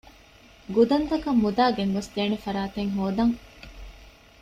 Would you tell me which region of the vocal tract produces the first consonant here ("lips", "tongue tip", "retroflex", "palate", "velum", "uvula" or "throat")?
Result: velum